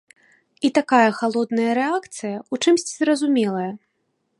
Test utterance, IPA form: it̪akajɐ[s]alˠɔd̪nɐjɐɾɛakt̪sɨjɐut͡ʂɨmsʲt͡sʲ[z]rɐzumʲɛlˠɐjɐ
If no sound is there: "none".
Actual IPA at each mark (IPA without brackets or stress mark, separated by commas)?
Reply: x, z